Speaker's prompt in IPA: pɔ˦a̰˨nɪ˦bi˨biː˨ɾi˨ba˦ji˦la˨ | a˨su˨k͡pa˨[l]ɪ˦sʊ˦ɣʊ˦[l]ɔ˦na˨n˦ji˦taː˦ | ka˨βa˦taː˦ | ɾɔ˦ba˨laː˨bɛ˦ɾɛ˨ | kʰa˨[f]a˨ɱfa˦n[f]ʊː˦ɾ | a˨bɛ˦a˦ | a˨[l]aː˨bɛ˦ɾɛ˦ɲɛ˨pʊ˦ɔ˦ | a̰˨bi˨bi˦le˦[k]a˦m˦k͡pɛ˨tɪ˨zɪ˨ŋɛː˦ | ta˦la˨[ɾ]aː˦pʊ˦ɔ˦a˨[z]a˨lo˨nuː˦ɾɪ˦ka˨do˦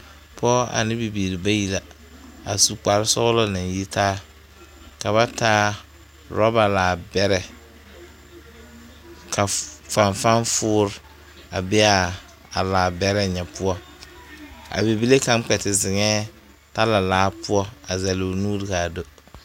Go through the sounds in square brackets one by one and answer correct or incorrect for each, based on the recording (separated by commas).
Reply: incorrect, correct, correct, correct, correct, correct, incorrect, correct